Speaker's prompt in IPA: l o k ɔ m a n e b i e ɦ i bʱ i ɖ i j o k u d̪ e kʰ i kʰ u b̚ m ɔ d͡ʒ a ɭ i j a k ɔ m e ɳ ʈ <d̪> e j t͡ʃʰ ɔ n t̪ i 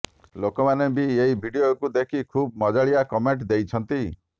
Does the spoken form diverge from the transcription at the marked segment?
no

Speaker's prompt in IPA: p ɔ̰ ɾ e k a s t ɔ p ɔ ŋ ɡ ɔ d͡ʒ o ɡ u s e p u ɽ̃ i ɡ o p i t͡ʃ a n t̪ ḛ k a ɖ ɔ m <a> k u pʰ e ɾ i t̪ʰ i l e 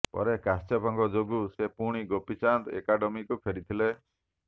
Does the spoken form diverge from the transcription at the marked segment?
yes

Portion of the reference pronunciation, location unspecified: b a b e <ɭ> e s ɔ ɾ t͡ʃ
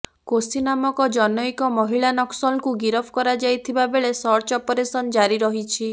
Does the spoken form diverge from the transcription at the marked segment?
no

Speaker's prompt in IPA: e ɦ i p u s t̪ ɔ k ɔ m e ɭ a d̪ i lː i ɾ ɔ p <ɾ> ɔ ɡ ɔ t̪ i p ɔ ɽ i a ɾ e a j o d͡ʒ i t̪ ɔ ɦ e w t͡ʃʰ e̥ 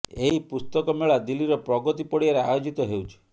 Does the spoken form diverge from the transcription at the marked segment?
no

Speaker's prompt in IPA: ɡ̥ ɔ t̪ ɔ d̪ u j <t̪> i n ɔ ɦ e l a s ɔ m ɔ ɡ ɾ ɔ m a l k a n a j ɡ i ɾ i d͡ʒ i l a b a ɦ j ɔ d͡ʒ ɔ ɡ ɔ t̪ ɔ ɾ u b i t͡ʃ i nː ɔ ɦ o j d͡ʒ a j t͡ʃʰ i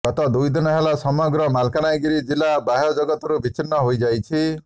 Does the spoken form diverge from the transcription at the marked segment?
yes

